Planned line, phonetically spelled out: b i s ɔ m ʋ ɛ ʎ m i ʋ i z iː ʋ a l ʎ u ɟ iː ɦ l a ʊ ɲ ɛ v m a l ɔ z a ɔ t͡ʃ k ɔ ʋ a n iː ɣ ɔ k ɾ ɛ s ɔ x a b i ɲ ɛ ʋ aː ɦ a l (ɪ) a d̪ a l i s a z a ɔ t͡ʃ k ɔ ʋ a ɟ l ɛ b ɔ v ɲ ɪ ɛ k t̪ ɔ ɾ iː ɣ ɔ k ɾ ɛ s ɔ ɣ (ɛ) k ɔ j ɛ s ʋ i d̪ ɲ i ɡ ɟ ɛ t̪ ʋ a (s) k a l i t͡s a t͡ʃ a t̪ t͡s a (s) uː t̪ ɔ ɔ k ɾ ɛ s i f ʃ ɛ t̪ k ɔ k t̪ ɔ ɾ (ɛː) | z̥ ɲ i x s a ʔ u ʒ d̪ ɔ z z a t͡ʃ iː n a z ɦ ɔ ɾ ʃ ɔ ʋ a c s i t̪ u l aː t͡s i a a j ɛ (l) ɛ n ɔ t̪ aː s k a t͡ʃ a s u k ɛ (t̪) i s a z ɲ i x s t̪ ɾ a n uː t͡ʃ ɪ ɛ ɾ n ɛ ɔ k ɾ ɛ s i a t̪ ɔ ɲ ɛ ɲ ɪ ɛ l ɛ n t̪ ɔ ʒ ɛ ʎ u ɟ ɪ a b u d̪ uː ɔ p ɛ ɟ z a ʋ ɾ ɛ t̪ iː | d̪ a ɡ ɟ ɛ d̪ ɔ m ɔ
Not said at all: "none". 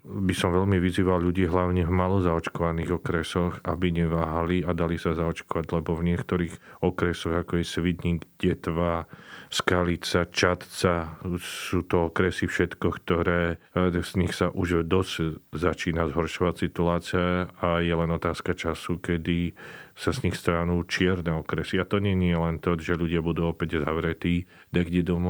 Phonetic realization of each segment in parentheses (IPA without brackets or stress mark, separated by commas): i, a, s, s, ɛː, l, d̪